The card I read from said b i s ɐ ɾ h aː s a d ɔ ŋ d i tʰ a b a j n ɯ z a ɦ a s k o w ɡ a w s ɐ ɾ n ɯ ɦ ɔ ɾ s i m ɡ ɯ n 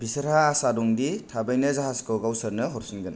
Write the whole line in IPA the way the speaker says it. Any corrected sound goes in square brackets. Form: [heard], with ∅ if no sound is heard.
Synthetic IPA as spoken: b i s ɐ ɾ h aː s a d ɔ ŋ d i tʰ a b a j n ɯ z a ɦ a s k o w ɡ a w s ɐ ɾ n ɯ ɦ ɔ ɾ s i [n] ɡ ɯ n